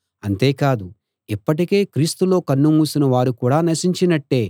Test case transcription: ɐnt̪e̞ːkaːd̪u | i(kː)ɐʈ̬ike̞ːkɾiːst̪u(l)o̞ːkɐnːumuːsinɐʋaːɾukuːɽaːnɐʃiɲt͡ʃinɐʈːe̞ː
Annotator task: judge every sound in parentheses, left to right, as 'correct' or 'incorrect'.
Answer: incorrect, correct

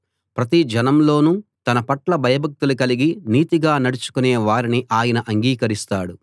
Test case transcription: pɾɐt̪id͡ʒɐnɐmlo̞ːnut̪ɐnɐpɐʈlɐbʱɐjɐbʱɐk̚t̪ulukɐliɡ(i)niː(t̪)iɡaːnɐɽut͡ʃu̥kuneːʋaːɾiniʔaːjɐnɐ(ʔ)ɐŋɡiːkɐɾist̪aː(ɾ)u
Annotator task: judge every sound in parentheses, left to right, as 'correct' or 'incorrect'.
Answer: correct, correct, correct, incorrect

